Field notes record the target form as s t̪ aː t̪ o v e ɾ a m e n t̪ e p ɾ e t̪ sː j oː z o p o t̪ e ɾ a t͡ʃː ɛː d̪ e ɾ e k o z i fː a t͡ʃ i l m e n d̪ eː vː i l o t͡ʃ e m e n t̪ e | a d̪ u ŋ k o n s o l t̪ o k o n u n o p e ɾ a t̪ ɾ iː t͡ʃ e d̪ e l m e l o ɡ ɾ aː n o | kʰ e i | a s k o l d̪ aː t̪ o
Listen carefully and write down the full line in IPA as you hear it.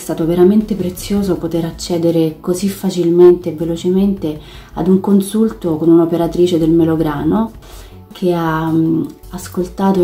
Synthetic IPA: s t̪ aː t̪ o v e ɾ a m e n t̪ e p ɾ e t̪ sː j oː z o p o t̪ e ɾ a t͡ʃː ɛː d̪ e ɾ e k o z i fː a t͡ʃ i l m e n t̪ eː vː e l o t͡ʃ e m e n t̪ e | a d̪ u ŋ k o n s u l t̪ o k o n u n o p e ɾ a t̪ ɾ iː t͡ʃ e d̪ e l m e l o ɡ ɾ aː n o | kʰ e a | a s k o l t̪ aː t̪ o